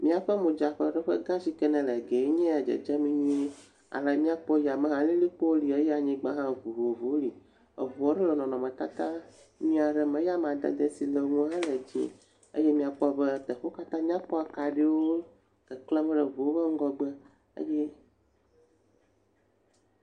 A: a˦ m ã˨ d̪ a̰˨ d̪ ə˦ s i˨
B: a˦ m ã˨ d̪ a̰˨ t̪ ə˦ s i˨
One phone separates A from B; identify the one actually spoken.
A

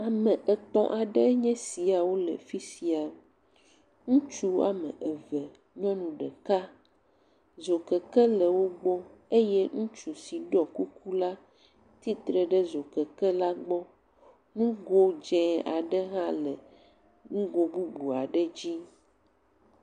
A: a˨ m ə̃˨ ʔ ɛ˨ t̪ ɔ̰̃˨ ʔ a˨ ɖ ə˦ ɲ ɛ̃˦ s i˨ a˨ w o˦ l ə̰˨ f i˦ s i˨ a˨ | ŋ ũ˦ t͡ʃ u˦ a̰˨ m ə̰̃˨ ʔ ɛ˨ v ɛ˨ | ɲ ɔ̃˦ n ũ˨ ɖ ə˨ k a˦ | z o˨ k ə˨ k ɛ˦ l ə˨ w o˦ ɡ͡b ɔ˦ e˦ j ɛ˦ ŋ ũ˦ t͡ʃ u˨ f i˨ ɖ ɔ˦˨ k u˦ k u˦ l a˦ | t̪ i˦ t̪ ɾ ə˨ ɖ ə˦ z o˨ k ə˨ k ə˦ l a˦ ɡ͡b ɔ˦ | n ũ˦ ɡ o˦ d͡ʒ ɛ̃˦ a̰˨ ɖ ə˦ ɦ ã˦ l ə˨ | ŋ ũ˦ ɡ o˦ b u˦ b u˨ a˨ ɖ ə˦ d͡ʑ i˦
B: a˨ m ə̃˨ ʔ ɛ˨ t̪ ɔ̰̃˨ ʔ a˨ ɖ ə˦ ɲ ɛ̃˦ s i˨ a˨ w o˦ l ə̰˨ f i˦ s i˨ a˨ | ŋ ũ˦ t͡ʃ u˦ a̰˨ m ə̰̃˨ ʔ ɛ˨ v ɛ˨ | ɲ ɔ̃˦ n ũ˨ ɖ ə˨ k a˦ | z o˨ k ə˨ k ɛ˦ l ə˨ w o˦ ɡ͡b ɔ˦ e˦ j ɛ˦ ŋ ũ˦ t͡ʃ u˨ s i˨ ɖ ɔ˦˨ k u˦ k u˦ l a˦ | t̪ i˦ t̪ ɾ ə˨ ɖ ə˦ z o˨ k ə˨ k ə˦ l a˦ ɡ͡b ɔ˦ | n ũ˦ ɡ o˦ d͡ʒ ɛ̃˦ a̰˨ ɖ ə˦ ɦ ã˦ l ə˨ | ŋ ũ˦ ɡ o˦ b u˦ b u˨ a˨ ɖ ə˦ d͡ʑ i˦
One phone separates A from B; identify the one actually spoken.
B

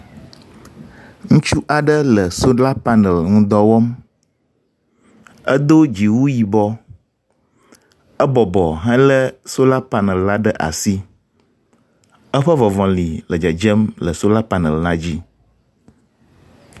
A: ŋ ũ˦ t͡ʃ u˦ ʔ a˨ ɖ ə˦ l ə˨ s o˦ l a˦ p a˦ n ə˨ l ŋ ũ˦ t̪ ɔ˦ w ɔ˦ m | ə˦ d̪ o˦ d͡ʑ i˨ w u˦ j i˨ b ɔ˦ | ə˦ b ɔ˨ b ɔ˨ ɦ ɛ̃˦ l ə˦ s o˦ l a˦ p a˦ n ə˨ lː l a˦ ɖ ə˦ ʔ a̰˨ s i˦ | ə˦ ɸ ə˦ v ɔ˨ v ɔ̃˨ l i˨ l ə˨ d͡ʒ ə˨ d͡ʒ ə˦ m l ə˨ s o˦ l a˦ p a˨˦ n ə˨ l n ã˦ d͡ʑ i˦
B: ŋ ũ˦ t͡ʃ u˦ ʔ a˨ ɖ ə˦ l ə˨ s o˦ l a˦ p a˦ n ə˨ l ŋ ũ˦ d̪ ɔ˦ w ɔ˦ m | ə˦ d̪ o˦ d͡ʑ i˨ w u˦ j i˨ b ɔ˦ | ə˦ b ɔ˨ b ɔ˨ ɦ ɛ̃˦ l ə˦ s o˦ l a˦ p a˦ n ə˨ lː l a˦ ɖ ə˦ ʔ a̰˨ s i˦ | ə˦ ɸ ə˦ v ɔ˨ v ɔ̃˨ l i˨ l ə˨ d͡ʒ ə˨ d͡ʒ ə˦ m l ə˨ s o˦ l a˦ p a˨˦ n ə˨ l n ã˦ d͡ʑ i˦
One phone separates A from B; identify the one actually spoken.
B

